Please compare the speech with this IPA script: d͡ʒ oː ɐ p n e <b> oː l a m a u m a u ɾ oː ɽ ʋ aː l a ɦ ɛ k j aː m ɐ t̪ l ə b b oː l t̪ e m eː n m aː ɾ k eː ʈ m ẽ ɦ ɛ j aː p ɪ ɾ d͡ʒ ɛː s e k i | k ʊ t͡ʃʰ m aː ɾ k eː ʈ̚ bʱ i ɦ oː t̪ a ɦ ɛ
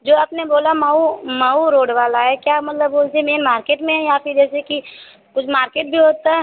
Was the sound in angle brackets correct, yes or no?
yes